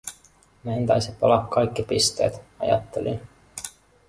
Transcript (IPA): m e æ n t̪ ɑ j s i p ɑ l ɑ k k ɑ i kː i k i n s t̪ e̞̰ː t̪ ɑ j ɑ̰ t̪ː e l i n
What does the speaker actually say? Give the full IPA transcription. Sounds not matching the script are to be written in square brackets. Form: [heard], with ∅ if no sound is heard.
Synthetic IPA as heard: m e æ n t̪ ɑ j s i p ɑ l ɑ k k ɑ [j] kː i [p] i [∅] s t̪ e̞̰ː t̪ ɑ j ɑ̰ t̪ː e l i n